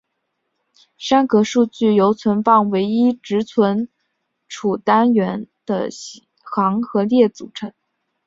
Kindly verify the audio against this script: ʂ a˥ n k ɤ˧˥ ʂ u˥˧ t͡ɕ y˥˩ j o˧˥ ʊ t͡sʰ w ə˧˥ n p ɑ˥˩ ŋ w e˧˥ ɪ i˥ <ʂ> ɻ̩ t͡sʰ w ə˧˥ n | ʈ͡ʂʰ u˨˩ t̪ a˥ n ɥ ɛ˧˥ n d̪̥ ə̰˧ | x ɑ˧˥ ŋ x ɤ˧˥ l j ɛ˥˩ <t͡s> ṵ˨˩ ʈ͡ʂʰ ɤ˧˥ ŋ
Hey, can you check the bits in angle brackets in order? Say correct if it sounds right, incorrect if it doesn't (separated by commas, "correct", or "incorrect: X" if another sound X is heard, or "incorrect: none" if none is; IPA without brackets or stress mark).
incorrect: ʈ͡ʂ, correct